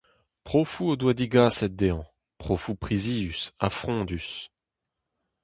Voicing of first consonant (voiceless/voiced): voiceless